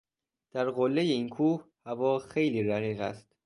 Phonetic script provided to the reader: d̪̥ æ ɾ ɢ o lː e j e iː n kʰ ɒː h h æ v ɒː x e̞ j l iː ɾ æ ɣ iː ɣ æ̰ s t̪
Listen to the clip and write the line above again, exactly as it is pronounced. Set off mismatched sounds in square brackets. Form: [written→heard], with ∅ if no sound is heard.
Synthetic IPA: d̪̥ æ ɾ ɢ o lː e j e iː n kʰ [ɒː→uː] h h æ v ɒː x e̞ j l iː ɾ æ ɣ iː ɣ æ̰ s t̪